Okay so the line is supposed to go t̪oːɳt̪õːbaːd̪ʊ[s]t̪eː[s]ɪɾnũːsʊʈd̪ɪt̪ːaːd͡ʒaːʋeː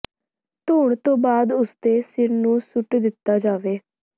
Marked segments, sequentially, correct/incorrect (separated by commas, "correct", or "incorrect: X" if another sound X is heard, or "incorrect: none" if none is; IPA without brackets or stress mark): correct, correct